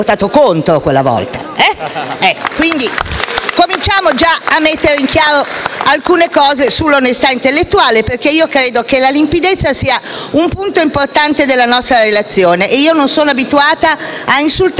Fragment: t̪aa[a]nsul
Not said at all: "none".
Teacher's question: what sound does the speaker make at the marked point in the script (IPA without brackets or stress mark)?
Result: i